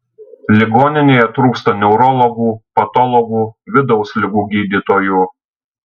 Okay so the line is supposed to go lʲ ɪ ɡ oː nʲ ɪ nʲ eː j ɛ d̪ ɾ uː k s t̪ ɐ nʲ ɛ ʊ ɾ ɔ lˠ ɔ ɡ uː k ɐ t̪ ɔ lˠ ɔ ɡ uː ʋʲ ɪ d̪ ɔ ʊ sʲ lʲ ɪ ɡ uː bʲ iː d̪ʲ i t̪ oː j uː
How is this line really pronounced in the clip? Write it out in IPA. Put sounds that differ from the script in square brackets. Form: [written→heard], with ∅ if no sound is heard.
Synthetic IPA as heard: lʲ ɪ ɡ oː nʲ ɪ nʲ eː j ɛ [d̪→t̪] ɾ uː k s t̪ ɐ nʲ ɛ ʊ ɾ ɔ lˠ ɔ ɡ uː [k→p] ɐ t̪ ɔ lˠ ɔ ɡ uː ʋʲ ɪ d̪ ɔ ʊ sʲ lʲ ɪ ɡ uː [bʲ→ɡʲ] iː d̪ʲ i t̪ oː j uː